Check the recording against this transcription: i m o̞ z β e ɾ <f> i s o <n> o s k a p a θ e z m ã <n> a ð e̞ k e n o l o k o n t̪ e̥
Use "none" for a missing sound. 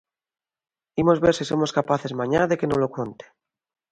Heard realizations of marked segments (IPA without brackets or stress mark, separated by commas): s, m, ɲ